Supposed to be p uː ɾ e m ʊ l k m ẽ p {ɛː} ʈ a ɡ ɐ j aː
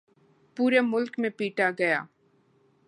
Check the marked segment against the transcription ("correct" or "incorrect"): incorrect